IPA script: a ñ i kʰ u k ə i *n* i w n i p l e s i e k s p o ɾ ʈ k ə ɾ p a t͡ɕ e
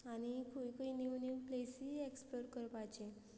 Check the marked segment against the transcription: correct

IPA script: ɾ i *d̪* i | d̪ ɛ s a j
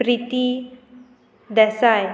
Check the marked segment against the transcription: incorrect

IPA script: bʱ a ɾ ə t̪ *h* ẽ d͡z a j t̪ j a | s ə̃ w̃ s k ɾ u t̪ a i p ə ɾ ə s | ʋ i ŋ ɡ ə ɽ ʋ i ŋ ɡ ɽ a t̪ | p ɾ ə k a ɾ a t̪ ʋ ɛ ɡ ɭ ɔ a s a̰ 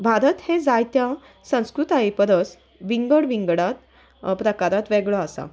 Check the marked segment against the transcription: correct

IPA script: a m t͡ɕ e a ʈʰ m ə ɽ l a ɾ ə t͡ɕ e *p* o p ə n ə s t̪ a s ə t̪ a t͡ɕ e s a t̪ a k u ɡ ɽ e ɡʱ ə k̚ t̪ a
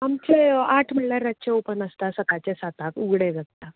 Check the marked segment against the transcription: incorrect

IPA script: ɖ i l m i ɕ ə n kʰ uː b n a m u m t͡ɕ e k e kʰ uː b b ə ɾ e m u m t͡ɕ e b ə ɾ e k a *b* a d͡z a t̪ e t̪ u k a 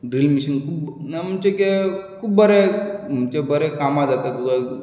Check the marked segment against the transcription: incorrect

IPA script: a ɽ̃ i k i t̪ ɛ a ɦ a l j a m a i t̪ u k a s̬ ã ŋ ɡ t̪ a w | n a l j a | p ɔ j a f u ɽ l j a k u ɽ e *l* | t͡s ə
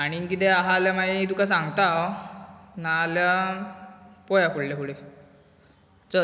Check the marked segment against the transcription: incorrect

